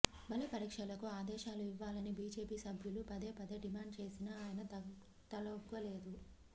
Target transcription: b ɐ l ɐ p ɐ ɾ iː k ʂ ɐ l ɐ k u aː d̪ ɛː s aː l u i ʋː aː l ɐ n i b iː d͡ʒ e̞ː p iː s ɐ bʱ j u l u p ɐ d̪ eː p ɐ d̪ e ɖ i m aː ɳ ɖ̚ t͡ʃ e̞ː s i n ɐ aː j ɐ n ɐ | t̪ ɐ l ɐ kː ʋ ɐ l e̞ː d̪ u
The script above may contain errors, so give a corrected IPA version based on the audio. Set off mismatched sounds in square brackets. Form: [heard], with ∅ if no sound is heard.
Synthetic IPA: b ɐ l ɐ p ɐ ɾ iː k ʂ ɐ l ɐ k u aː d̪ ɛː [ʃ] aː l u i ʋː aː l ɐ n i b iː d͡ʒ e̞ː p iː s ɐ bʱ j u l u p ɐ d̪ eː p ɐ d̪ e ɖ i m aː ɳ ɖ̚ t͡ʃ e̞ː s i n ɐ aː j ɐ n ɐ | t̪ ɐ l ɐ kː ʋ ɐ l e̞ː d̪ u